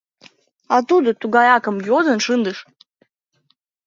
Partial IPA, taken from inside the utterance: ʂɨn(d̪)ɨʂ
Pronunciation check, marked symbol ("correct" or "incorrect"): correct